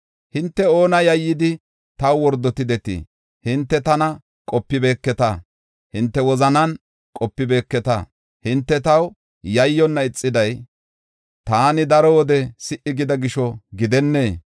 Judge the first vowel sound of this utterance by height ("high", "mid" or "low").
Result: high